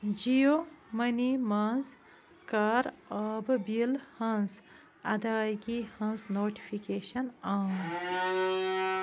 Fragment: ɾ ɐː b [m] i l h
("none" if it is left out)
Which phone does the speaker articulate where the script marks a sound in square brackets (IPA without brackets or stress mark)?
b